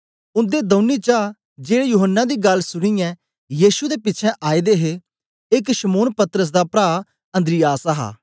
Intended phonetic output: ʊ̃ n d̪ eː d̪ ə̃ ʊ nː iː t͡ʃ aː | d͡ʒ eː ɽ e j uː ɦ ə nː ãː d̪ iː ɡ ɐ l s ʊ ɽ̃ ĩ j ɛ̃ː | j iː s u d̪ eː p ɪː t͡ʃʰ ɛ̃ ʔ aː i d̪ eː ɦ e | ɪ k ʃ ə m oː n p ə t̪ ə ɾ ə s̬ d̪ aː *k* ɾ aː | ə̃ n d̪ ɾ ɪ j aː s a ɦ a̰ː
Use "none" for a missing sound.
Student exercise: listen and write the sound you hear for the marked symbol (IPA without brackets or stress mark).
p